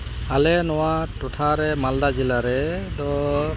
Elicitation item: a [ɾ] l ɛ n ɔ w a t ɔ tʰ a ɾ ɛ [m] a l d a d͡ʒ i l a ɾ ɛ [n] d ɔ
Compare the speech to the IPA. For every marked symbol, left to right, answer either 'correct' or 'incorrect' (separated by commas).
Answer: incorrect, correct, incorrect